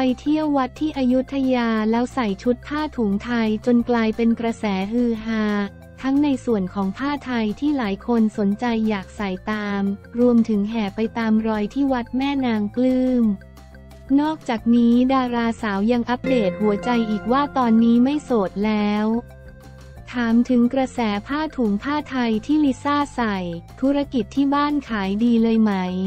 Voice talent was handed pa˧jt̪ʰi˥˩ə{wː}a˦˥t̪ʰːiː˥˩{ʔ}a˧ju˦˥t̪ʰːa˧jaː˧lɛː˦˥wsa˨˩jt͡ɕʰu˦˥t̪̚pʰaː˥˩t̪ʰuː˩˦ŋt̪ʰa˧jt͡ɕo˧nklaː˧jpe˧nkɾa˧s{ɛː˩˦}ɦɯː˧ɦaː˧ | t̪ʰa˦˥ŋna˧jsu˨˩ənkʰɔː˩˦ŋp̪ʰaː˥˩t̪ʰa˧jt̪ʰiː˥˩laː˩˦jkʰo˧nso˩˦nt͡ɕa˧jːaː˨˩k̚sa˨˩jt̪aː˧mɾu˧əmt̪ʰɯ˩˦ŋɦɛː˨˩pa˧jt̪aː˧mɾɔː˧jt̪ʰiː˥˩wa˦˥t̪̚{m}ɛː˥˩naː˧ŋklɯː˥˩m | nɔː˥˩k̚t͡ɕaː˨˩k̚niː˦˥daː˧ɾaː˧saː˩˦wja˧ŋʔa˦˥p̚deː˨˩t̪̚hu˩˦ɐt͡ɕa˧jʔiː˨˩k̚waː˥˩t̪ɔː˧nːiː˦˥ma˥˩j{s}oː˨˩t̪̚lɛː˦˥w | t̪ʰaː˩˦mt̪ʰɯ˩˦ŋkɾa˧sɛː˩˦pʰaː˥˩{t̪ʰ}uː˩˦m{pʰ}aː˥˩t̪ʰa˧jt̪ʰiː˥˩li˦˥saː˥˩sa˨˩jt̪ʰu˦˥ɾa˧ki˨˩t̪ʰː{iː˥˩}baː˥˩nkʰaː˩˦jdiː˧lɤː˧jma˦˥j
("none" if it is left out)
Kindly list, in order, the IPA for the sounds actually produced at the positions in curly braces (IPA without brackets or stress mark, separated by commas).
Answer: wː, ʔ, ɛː˩˦, m, s, t̪ʰ, pʰ, iː˥˩